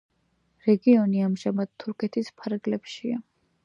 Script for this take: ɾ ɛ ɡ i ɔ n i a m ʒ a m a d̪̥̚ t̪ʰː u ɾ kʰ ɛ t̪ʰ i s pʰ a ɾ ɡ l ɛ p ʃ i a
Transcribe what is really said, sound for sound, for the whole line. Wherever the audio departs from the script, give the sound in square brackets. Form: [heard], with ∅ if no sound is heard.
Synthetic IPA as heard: ɾ ɛ ɡ i ɔ n i a m ʒ a m a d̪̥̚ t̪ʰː u ɾ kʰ ɛ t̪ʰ i s pʰ a ɾ ɡ l ɛ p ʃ i a